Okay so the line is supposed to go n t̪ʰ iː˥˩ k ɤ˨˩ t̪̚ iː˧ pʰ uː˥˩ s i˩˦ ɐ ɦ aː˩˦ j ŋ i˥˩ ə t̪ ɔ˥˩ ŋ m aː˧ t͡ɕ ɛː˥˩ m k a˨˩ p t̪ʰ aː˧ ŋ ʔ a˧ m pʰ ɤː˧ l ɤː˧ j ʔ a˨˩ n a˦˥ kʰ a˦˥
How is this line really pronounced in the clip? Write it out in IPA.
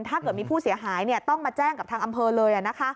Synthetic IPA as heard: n t̪ʰ aː˥˩ k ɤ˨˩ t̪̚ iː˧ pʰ uː˥˩ s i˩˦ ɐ ɦ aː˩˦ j n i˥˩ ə t̪ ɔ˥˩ ŋ m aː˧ t͡ɕ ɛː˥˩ ŋ k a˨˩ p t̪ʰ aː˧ ŋ ʔ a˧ m pʰ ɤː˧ l ɤː˧ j ʔ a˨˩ n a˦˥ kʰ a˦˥